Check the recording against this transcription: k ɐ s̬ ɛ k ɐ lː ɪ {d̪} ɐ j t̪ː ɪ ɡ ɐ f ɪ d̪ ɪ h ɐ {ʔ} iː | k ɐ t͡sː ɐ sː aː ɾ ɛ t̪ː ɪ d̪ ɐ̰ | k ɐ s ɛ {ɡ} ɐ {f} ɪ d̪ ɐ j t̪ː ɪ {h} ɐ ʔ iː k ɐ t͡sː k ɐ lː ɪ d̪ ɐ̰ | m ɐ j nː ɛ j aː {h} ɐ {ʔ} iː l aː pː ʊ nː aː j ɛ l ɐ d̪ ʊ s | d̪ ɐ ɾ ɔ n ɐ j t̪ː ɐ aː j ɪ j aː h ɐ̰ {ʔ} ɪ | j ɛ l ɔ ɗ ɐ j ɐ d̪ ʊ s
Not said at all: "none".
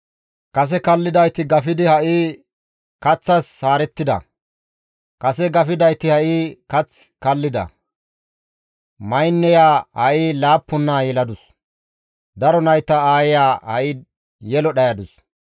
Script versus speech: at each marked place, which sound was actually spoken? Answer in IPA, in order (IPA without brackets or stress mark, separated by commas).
d̪, ʔ, ɡ, f, h, h, ʔ, ʔ